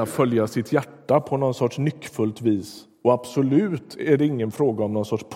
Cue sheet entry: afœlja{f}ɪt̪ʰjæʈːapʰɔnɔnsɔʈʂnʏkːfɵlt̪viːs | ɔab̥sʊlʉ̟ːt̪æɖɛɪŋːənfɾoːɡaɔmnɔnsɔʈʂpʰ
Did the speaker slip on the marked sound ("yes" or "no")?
yes